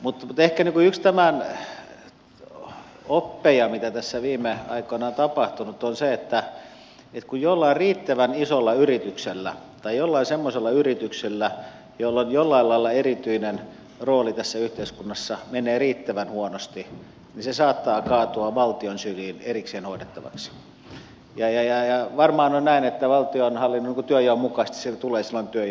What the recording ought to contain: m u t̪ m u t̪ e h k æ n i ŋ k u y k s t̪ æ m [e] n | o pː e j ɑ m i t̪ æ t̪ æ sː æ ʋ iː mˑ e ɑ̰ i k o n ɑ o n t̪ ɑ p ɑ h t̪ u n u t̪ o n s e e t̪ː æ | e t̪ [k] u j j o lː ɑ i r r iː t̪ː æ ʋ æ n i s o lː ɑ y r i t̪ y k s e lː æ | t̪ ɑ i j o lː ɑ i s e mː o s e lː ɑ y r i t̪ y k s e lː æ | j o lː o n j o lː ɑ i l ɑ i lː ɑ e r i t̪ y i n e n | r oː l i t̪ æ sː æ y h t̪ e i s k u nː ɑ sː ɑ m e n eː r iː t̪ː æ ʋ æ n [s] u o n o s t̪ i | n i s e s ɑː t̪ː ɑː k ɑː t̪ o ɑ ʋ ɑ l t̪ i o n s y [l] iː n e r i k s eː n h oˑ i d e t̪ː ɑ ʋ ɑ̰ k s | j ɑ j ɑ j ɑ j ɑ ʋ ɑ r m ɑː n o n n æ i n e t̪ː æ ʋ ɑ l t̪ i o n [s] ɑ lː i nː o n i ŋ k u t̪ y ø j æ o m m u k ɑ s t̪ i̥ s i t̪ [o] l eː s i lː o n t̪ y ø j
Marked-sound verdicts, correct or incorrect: incorrect, correct, incorrect, correct, incorrect, incorrect

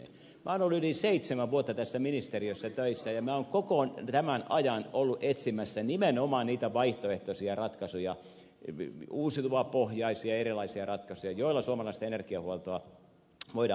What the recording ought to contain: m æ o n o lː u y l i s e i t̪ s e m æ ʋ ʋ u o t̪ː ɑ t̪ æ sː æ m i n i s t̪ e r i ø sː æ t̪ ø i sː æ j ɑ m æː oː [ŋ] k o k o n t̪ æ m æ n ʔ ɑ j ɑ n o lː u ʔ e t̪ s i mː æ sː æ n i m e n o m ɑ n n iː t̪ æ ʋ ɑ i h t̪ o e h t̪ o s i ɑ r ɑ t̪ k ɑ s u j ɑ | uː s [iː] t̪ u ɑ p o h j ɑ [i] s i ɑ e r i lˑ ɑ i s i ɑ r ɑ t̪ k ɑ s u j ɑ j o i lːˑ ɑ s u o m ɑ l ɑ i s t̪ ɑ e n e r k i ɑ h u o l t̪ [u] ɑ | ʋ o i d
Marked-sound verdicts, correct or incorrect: correct, incorrect, correct, incorrect

